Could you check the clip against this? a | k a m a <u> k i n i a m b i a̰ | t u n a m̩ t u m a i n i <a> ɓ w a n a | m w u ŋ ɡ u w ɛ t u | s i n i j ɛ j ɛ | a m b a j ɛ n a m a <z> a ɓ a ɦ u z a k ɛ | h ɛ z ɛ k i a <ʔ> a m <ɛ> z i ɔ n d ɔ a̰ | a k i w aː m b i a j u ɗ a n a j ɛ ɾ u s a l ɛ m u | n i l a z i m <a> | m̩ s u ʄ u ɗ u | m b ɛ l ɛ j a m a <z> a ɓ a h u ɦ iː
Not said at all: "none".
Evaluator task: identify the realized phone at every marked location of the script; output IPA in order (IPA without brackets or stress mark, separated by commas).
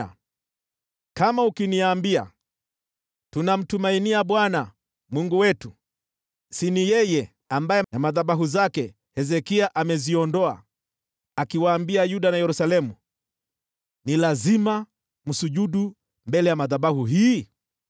u, a, ð, ʔ, ɛ, a, ð